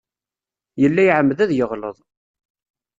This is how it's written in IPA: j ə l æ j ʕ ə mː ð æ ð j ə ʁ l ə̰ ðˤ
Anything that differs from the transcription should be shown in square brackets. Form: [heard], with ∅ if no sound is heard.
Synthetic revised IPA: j ə [lː] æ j ʕ ə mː ð æ ð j ə ʁ l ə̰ ðˤ